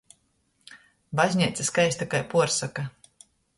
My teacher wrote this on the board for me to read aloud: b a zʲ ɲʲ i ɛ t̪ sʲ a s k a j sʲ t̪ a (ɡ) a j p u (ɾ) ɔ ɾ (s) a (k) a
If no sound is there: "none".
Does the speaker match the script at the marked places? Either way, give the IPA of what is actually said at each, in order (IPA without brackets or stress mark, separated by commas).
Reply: k, none, s, k